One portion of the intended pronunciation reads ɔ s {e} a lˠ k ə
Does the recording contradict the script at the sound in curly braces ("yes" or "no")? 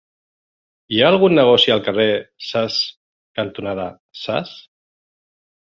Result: yes